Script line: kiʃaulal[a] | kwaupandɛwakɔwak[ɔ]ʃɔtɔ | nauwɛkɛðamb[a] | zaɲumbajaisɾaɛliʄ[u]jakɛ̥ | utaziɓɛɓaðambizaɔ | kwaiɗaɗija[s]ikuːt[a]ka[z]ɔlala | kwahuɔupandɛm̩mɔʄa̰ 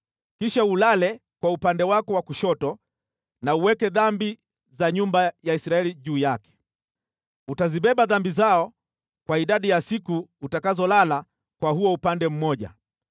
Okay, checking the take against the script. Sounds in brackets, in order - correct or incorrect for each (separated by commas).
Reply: incorrect, incorrect, incorrect, incorrect, correct, correct, correct